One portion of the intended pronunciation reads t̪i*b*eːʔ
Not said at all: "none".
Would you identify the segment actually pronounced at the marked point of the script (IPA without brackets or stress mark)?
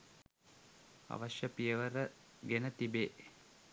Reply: b